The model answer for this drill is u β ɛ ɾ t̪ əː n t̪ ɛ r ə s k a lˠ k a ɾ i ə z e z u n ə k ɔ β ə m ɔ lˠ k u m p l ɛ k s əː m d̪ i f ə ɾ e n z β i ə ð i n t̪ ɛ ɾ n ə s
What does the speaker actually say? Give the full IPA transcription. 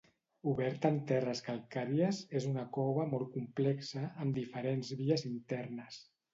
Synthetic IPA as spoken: u β ɛ ɾ t̪ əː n t̪ ɛ r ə s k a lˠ k a ɾ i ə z e z u n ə k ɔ β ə m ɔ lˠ k u m p l ɛ k s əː m d̪ i f ə ɾ e n z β i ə z i n t̪ ɛ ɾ n ə s